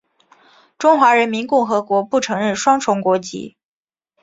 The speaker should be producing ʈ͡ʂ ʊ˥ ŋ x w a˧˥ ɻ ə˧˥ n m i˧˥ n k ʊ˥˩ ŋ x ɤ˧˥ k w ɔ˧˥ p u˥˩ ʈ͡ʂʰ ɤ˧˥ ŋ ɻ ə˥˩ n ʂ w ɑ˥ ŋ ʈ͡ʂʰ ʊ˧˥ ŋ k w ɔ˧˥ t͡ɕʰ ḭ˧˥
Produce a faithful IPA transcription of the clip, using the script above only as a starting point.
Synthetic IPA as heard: ʈ͡ʂ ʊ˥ ŋ x w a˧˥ ɻ ə˧˥ n m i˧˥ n k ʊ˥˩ ŋ x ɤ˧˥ k w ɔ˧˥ p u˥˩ ʈ͡ʂʰ ɤ˧˥ ŋ ɻ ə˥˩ n ʂ w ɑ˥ ŋ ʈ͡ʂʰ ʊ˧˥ ŋ k w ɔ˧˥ t͡ɕ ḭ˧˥